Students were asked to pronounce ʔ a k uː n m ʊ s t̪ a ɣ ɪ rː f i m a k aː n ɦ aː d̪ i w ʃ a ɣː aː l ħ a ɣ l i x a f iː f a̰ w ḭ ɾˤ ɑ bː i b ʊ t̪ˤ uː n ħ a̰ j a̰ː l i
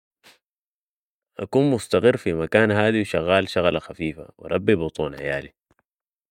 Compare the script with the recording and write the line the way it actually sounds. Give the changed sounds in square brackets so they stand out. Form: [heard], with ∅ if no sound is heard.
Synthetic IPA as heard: ʔ a k uː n m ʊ s t̪ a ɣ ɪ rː f i m a k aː n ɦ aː d̪ i w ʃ a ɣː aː l [ʃ] a ɣ l [a] x a f iː f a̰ w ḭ ɾˤ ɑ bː i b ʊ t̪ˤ uː n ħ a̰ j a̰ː l i